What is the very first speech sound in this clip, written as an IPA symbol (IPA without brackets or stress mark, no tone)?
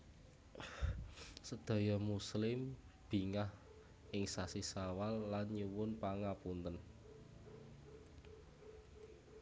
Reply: s